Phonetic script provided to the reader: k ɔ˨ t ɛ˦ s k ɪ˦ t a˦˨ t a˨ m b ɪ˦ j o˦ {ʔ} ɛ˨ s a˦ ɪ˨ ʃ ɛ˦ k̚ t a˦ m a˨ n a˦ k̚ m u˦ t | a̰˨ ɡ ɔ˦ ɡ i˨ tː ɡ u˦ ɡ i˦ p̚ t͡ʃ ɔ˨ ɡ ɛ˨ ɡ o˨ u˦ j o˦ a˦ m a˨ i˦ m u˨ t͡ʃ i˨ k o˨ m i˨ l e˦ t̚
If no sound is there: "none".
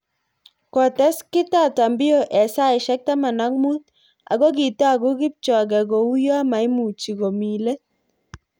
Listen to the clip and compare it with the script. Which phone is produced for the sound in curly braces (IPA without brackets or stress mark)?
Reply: ʔ